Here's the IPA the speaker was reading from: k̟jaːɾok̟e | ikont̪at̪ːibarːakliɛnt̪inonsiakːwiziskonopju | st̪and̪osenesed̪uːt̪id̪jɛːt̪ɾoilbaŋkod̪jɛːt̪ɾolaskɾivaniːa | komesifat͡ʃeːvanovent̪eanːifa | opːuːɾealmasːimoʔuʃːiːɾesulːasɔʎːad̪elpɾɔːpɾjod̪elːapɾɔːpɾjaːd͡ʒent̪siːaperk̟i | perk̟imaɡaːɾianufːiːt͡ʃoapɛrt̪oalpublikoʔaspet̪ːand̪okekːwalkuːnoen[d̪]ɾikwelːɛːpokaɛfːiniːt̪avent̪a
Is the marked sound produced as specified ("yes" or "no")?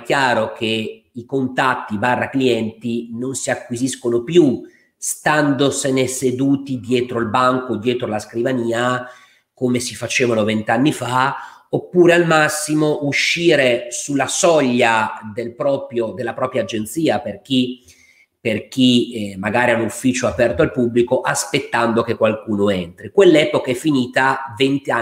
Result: no